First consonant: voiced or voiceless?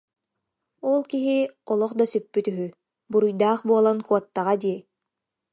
voiced